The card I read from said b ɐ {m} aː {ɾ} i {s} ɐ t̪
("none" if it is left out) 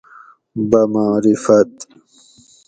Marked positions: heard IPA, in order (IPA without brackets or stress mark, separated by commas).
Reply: m, ɾ, f